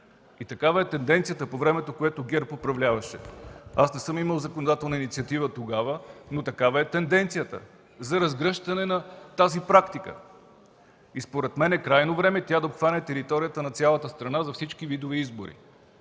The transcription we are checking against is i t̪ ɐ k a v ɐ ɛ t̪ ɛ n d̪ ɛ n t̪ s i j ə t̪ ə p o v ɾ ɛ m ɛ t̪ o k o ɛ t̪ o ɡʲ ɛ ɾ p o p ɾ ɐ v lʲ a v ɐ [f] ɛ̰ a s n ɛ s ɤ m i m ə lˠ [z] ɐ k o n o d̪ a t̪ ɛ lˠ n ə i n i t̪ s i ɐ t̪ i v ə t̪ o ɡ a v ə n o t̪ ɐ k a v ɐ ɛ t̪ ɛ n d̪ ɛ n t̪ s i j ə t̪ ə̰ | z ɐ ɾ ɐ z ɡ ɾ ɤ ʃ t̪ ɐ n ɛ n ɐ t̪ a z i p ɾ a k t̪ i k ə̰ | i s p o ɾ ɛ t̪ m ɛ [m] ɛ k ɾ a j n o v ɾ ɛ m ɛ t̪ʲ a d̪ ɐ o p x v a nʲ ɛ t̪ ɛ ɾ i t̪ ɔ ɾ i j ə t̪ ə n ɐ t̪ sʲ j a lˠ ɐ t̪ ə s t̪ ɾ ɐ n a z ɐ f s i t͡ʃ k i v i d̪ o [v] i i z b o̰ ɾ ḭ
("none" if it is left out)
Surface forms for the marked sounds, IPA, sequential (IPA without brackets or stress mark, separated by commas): ʃ, z, n, v